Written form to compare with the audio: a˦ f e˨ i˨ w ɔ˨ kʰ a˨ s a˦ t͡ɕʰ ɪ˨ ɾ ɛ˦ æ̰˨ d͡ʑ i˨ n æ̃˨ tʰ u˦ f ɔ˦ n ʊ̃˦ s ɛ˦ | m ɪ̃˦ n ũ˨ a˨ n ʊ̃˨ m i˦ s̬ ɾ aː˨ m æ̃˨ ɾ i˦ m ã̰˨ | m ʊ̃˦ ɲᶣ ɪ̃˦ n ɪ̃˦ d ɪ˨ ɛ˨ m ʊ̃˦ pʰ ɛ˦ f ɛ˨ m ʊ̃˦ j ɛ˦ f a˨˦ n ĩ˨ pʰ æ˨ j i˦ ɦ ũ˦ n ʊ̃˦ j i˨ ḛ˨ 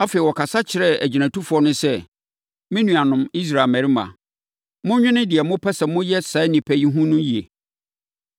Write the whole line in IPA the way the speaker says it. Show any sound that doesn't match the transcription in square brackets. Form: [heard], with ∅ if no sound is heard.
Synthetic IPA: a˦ f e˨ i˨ w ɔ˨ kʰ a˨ s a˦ t͡ɕʰ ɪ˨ ɾ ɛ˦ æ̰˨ d͡ʑ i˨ n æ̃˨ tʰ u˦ f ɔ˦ n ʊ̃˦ s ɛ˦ | m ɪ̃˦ n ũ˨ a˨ n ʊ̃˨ m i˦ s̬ ɾ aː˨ m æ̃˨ ɾ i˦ m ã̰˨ | m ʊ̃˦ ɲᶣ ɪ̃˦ n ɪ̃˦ d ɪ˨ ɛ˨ m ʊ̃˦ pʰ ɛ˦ [s] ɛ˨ m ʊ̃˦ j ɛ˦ [s] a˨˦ n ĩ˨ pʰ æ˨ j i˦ ɦ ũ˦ n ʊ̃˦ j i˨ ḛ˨